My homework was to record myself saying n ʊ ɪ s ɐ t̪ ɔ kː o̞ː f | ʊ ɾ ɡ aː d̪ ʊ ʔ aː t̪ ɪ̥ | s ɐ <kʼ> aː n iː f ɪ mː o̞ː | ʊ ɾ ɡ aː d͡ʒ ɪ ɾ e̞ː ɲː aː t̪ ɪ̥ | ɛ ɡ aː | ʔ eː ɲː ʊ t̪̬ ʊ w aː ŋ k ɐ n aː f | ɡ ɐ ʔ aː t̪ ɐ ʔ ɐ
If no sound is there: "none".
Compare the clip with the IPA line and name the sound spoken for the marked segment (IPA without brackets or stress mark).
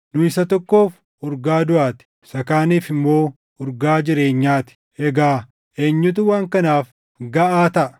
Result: k